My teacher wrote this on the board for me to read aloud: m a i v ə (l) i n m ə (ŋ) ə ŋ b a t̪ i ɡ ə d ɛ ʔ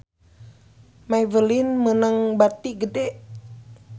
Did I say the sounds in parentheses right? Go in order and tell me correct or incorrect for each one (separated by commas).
correct, incorrect